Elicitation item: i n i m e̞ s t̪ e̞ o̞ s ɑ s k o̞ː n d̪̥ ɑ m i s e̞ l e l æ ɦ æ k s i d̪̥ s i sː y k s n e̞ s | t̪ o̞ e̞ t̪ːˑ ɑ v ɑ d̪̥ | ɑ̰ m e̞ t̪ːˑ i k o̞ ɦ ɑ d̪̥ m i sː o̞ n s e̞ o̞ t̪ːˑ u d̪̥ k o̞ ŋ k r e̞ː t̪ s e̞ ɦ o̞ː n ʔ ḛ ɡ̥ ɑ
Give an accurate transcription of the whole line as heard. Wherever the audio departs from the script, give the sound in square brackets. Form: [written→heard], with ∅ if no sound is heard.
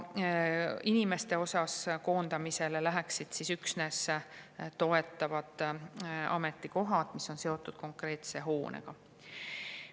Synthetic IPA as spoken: i n i m e̞ s t̪ e̞ o̞ s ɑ s k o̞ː n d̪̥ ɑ m i s e̞ l e l æ ɦ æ k s i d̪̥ s i [sː→s] y k s n e̞ s | t̪ o̞ e̞ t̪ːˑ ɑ v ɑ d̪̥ | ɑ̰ m e̞ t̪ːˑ i k o̞ ɦ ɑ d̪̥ m i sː o̞ n s e̞ o̞ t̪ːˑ u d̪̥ k o̞ ŋ k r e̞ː t̪ s e̞ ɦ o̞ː n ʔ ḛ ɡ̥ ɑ